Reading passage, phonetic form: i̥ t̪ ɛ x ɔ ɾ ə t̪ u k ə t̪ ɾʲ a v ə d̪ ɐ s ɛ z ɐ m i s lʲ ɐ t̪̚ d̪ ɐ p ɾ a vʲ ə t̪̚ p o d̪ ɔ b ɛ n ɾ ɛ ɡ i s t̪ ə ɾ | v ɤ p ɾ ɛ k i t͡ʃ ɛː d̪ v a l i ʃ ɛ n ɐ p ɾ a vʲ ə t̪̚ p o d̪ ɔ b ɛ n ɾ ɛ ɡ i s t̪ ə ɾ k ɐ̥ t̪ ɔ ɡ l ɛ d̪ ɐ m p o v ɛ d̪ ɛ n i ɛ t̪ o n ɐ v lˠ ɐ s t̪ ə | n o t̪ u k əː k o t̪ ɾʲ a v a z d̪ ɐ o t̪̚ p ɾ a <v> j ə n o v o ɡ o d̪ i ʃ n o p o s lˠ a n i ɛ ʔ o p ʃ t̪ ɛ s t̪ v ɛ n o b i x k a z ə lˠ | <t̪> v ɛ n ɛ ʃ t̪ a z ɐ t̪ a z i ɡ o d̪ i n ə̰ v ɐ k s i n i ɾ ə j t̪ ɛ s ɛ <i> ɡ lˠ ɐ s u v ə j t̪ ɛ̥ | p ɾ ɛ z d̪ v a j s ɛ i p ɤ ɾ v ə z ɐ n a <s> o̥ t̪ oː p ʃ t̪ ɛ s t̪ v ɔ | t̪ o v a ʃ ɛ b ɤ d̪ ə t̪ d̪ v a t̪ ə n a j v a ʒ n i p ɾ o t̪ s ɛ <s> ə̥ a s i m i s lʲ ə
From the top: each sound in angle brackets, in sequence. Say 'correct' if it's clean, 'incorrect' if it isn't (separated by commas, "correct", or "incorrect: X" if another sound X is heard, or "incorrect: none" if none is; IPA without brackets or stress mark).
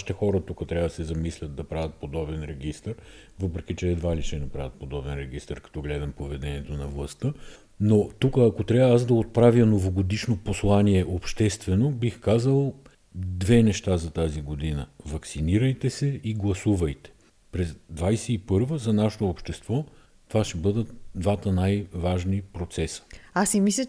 correct, incorrect: d̪, correct, incorrect: ʃ, correct